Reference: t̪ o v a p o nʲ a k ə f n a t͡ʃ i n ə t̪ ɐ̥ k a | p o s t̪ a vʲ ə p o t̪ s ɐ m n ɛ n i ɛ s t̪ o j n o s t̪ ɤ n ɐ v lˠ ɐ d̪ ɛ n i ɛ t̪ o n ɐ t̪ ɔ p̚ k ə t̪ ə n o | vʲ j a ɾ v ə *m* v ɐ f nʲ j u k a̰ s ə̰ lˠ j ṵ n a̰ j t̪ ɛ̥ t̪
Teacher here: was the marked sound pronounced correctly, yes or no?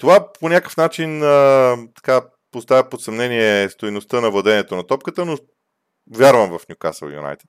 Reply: yes